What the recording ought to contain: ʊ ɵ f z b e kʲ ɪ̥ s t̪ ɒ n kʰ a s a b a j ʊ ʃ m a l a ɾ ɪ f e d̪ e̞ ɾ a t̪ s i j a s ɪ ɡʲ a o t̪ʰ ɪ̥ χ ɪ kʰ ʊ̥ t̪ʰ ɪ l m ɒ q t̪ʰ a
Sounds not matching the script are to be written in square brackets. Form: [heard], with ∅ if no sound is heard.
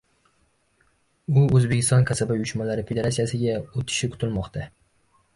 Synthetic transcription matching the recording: ʊ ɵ [∅] z b e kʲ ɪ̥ s t̪ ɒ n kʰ a s a b a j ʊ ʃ m a l a ɾ ɪ f e d̪ e̞ ɾ a t̪ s i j a s ɪ ɡʲ a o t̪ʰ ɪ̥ [ʃ] ɪ kʰ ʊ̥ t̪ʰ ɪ l m ɒ q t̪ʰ a